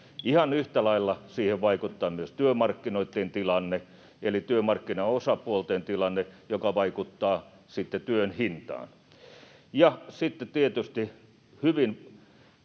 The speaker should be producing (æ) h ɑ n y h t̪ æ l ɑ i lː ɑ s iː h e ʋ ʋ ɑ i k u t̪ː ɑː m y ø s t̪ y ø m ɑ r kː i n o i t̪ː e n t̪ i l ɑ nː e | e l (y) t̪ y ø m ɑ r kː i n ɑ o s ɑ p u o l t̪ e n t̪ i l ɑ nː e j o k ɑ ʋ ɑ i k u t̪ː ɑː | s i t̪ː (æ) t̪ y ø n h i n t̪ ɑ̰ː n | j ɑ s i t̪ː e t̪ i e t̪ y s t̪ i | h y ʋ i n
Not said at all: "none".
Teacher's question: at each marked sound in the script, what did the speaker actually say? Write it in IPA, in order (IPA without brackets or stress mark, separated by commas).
i, i, e